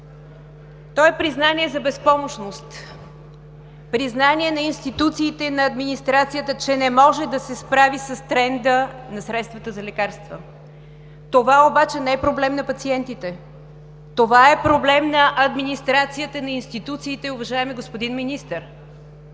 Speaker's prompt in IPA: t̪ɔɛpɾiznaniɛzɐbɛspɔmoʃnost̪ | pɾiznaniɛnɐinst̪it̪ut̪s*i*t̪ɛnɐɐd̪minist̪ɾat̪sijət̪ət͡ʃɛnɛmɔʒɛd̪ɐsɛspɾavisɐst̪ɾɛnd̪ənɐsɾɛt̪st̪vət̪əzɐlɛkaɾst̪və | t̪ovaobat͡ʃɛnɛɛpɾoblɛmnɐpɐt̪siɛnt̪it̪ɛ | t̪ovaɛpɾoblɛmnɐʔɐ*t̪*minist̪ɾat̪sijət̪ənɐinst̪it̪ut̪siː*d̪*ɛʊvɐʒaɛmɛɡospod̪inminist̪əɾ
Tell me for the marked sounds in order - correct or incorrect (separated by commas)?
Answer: incorrect, incorrect, incorrect